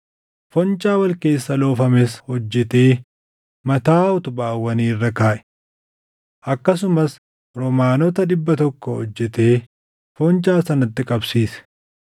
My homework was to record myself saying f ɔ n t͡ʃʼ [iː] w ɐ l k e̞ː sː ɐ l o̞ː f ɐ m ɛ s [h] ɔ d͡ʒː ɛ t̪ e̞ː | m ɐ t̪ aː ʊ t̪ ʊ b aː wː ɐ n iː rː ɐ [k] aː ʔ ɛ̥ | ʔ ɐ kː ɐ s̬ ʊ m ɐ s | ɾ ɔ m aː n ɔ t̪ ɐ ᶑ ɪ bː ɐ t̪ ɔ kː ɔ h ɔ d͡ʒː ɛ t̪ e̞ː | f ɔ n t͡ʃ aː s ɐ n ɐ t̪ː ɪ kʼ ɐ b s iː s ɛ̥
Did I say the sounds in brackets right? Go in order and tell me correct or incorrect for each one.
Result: incorrect: aː, correct, correct

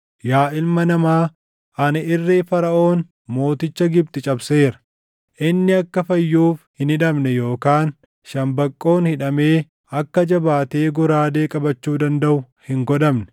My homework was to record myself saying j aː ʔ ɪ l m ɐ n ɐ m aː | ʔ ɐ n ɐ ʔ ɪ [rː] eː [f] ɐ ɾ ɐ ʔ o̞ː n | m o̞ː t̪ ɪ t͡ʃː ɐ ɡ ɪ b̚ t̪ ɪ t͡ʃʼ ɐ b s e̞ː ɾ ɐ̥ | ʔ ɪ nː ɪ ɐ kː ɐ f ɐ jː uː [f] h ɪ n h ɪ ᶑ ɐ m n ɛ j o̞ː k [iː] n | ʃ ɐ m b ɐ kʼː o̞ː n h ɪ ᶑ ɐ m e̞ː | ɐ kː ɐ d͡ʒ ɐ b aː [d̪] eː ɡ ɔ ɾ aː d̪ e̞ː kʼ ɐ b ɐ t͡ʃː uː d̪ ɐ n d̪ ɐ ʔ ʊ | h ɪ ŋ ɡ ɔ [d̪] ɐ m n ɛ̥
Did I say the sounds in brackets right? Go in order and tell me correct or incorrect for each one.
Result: correct, correct, correct, incorrect: aː, incorrect: t̪, correct

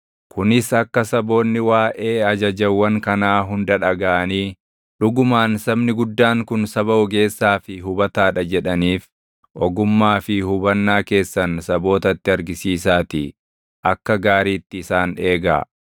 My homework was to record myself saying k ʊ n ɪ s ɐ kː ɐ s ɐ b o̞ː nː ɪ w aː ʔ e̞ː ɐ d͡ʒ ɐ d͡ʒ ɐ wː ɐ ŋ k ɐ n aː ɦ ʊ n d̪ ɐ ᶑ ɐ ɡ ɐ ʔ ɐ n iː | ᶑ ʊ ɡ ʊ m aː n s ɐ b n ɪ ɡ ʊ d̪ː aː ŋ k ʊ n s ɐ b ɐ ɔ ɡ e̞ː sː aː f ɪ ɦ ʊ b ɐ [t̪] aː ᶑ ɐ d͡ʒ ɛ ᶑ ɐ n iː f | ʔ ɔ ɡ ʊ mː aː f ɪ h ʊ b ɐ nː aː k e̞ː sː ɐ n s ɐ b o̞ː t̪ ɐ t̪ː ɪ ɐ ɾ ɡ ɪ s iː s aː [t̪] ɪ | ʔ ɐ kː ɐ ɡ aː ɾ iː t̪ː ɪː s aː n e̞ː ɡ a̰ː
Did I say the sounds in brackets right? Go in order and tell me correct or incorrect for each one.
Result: correct, correct

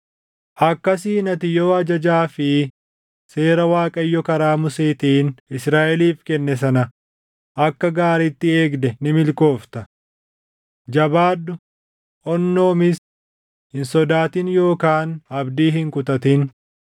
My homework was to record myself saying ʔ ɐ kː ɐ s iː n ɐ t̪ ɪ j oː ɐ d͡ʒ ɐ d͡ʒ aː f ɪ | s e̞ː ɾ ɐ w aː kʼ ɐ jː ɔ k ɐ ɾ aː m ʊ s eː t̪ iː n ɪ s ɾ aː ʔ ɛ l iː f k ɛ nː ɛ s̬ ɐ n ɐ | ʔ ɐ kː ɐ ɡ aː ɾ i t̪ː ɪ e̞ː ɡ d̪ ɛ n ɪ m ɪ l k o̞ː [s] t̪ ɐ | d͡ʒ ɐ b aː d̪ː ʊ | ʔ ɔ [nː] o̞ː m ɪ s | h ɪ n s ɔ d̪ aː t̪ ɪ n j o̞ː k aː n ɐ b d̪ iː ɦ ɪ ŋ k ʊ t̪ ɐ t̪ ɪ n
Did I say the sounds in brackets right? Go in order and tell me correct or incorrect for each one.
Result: incorrect: f, correct

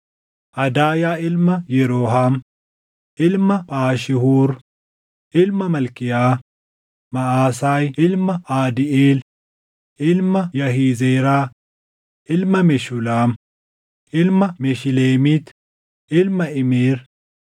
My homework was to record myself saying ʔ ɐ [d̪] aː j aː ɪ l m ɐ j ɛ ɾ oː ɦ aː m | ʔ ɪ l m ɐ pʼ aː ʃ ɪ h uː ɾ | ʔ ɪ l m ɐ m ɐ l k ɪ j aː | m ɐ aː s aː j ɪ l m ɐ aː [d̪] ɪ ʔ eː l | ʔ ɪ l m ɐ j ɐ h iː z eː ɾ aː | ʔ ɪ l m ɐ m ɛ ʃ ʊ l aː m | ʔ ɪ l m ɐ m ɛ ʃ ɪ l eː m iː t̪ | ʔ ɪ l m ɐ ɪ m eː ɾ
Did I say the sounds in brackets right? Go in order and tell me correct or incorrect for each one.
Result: correct, correct

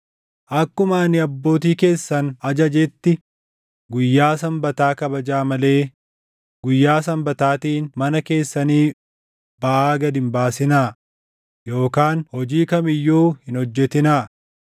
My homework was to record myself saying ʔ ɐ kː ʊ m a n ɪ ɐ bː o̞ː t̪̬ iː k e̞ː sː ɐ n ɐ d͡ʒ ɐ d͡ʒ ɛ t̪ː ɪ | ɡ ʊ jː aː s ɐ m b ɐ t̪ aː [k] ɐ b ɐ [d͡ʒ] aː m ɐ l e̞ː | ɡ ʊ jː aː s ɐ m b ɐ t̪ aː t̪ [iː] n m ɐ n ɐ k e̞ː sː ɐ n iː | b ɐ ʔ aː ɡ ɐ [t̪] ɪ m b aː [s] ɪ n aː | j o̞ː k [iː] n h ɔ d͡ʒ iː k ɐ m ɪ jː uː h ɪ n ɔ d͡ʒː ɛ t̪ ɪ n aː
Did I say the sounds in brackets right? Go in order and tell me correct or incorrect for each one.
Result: correct, correct, correct, incorrect: d̪, correct, incorrect: aː

